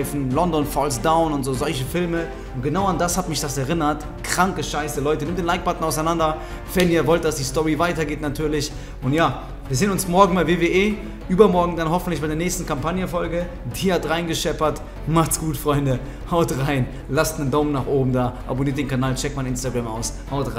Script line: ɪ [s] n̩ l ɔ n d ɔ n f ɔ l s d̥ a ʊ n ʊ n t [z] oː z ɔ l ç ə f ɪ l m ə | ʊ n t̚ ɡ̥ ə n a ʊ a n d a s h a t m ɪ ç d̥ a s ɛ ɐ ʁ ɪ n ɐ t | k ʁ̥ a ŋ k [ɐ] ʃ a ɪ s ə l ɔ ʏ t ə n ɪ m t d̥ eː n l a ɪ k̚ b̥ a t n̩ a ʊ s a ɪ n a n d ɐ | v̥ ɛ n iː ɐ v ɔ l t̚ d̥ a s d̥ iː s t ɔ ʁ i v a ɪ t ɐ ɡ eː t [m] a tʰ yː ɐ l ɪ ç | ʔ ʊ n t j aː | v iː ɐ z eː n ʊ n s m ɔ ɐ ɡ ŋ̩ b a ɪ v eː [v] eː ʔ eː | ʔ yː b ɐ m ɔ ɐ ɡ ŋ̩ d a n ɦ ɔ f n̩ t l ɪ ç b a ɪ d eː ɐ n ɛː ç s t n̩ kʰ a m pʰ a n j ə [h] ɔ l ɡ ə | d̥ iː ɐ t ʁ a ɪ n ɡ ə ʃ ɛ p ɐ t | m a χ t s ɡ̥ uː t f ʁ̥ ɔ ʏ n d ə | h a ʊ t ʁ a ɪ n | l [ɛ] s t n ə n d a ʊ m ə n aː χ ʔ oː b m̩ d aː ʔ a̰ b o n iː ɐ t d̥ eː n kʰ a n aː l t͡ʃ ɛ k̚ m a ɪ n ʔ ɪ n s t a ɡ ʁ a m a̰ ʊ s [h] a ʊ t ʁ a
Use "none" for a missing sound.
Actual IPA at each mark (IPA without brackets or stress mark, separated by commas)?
f, z, ə, n, v, f, a, h